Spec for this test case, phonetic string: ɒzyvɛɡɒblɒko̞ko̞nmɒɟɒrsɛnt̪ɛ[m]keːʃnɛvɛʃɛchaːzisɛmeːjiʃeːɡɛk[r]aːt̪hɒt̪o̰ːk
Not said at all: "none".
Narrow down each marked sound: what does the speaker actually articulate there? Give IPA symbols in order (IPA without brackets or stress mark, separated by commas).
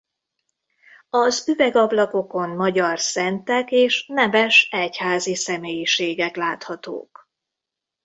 none, l